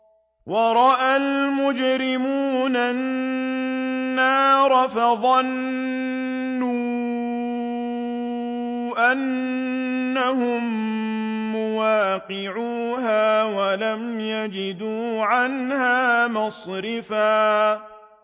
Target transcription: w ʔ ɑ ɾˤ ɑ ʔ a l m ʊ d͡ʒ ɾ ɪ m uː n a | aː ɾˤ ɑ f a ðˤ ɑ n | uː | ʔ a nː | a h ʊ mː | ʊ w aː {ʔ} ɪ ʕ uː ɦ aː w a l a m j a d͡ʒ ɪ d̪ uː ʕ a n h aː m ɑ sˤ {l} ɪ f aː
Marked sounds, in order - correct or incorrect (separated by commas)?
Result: incorrect, incorrect